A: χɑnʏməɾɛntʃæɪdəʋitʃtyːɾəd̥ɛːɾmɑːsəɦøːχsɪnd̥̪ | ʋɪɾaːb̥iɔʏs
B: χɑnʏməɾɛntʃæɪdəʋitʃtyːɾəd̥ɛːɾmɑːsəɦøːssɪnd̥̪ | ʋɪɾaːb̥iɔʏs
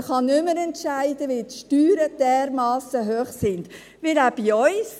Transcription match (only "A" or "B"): A